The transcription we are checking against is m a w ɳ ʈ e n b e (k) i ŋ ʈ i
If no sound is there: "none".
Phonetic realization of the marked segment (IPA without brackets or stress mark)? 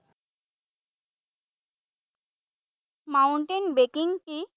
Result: k